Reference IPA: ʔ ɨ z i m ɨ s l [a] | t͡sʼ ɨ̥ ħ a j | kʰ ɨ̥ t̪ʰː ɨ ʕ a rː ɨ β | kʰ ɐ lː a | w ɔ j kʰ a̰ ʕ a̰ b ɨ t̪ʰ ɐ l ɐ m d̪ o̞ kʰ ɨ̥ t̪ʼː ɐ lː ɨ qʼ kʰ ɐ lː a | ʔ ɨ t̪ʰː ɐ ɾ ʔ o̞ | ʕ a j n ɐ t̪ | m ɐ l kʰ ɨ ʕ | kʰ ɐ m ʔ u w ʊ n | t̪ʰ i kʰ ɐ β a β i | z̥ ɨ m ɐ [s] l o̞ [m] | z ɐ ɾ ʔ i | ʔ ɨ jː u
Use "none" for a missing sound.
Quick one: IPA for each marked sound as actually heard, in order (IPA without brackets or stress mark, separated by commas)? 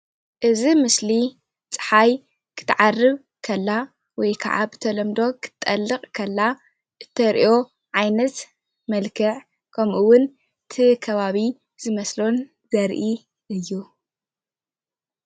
i, s, n